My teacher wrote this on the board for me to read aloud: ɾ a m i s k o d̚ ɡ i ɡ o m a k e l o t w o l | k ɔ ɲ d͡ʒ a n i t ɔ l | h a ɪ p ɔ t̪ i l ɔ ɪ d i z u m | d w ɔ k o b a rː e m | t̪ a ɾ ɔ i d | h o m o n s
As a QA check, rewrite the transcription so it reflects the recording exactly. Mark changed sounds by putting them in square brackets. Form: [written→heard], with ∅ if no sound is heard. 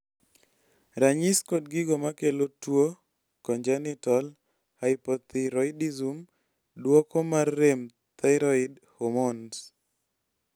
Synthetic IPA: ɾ a [m→ɲ] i s k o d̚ ɡ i ɡ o m a k e l o t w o [l→∅] | k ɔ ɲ d͡ʒ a n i t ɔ l | h a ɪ p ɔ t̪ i [l→ɾ] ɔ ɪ d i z u m | d w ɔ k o [b→m] a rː e m | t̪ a ɾ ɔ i d | h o m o n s